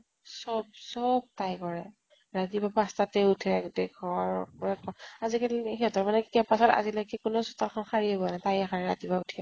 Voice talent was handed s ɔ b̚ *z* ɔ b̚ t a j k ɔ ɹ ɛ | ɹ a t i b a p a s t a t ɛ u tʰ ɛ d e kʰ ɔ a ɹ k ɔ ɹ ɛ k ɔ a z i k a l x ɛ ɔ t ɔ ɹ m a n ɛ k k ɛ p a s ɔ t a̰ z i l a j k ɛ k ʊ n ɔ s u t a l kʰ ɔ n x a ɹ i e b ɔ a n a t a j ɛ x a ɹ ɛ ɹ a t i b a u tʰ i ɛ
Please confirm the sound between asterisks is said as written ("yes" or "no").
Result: no